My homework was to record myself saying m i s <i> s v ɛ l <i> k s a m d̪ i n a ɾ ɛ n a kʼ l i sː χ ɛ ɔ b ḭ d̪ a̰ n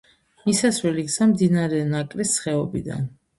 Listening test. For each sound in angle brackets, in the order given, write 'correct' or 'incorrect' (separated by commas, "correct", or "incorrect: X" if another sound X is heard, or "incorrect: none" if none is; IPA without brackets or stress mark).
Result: incorrect: a, correct